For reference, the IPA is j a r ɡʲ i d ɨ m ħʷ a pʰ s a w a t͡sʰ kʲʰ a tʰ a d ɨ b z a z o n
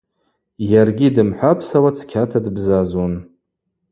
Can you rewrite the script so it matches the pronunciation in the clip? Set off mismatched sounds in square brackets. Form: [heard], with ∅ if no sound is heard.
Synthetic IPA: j a r ɡʲ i d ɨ m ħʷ a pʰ s a w a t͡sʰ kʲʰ a tʰ a d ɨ b z a z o n